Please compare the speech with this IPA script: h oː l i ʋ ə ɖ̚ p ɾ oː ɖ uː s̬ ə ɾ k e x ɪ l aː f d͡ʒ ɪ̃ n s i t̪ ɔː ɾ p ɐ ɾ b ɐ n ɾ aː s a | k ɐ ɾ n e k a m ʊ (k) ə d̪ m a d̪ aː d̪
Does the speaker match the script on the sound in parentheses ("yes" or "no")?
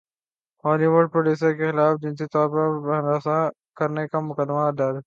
yes